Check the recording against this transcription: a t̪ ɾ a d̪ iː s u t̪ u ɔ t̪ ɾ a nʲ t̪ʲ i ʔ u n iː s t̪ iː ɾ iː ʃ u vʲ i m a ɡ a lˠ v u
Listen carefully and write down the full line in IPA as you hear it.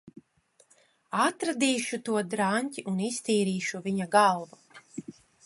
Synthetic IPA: a t̪ ɾ a d̪ iː ʃ u t̪ u ɔ d̪ ɾ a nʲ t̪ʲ i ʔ u n i s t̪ iː ɾ iː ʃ u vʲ i ɲ a ɡ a lˠ v u